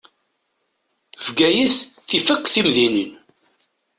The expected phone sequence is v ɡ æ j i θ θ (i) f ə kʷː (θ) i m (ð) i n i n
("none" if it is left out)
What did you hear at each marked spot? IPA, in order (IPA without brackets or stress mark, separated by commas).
i, θ, ð